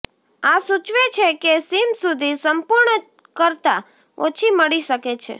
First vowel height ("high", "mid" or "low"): low